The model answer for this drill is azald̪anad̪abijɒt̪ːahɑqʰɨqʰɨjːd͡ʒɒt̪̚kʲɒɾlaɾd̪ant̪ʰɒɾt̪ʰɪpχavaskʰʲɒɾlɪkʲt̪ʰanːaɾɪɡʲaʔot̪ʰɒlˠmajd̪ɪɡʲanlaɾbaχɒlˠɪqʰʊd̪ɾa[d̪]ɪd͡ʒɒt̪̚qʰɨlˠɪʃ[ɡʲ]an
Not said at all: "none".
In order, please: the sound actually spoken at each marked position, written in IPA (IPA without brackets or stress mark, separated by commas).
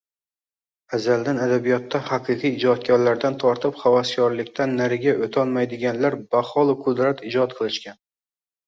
t̪, kʲ